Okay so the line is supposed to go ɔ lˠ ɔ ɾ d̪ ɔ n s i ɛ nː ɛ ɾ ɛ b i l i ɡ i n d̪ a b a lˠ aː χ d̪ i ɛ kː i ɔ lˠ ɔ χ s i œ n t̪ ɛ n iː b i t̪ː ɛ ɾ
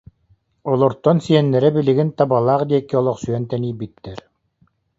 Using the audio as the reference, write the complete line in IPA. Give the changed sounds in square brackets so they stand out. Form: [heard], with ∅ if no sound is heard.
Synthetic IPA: ɔ lˠ ɔ ɾ [t̪] ɔ n s i ɛ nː ɛ ɾ ɛ b i l i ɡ i n [t̪] a b a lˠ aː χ d̪ i ɛ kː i ɔ lˠ ɔ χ s [y] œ n t̪ ɛ n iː b i t̪ː ɛ ɾ